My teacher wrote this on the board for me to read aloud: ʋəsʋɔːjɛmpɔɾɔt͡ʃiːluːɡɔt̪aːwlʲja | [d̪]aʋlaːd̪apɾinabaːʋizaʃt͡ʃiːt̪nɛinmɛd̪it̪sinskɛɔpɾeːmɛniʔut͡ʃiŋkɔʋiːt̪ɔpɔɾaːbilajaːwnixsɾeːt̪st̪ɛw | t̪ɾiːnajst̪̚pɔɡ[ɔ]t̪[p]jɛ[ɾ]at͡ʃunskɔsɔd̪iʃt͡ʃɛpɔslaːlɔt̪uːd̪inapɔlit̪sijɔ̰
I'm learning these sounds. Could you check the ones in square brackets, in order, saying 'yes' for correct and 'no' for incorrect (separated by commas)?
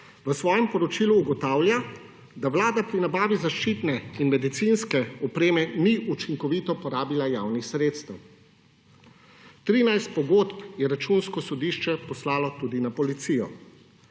yes, no, yes, yes